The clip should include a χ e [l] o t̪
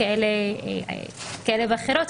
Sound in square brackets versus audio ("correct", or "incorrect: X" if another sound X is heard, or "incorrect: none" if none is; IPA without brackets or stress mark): incorrect: ɾ